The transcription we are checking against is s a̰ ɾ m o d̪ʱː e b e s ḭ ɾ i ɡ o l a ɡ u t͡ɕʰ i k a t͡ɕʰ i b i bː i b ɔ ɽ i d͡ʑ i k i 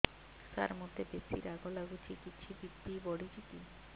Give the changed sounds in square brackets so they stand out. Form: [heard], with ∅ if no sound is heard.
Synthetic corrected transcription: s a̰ ɾ m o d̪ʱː e b e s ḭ ɾ [a] ɡ o l a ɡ u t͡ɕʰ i k [i] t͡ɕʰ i b i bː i b ɔ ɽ i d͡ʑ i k i